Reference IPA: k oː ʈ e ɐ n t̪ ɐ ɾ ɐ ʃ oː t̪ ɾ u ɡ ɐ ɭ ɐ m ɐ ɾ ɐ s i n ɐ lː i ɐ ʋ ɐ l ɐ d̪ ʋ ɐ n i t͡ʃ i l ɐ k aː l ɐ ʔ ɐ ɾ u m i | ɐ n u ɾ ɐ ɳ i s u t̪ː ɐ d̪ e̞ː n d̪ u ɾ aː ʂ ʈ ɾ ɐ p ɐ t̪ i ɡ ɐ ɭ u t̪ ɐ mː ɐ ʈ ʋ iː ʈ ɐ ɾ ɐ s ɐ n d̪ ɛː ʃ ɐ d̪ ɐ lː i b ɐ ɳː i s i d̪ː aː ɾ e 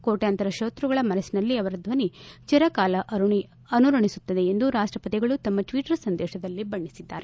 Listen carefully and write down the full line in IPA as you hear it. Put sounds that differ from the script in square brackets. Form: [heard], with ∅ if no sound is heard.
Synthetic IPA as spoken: k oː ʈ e ɐ n t̪ ɐ ɾ ɐ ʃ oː t̪ ɾ u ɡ ɐ ɭ ɐ m ɐ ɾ ɐ s i n ɐ lː i ɐ ʋ ɐ [ɾ] ɐ d̪ ʋ ɐ n i t͡ʃ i [ɾ] ɐ k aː l ɐ ʔ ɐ ɾ u [ɳ] i | ɐ n u ɾ ɐ ɳ i s u t̪ː ɐ d̪ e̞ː n d̪ u ɾ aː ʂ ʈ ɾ ɐ p ɐ t̪ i ɡ ɐ ɭ u t̪ ɐ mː ɐ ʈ ʋ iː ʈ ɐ ɾ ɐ s ɐ n d̪ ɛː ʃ ɐ d̪ ɐ lː i b ɐ ɳː i s i d̪ː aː ɾ e

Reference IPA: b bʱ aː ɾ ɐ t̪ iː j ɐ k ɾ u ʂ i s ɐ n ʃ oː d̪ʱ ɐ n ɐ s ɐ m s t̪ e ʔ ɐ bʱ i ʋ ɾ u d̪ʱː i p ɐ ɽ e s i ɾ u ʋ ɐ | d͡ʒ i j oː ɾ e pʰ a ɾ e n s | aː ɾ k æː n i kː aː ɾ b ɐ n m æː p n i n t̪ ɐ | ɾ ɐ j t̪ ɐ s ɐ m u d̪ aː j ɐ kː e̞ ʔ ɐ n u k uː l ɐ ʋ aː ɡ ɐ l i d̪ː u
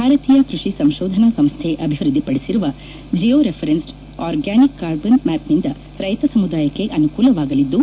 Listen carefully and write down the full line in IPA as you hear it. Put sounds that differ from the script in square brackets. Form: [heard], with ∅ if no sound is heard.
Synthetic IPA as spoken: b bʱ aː ɾ ɐ t̪ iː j ɐ k ɾ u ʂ i s ɐ [m] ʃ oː d̪ʱ ɐ n ɐ s ɐ m s [t̪ʰ] e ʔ ɐ bʱ i ʋ ɾ u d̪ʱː i p ɐ ɽ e s i ɾ u ʋ ɐ | d͡ʒ i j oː ɾ e pʰ [ɐ] ɾ e n s | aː ɾ [ɡ] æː n i kː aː ɾ b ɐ n m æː p n i n [d̪] ɐ | ɾ ɐ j t̪ ɐ s ɐ m u d̪ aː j ɐ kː e̞ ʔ ɐ n u k uː l ɐ ʋ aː ɡ ɐ l i d̪ː u

